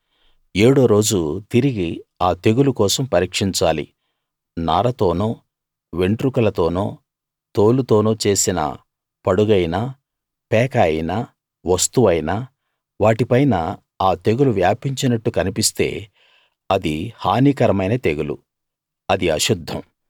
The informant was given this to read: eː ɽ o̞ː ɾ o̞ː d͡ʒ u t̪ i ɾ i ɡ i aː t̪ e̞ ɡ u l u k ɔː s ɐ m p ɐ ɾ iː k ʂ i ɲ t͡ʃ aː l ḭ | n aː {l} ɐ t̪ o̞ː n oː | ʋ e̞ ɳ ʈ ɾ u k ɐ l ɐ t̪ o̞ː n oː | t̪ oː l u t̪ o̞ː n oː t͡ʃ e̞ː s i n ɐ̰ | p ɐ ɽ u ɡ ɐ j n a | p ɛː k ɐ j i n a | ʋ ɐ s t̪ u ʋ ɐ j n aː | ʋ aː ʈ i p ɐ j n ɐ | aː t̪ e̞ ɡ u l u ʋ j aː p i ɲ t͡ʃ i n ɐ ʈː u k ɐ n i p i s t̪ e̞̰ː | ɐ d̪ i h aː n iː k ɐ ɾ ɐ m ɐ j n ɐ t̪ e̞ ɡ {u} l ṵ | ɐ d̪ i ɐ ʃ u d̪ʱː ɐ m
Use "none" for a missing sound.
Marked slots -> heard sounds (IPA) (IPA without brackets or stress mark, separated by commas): ɾ, u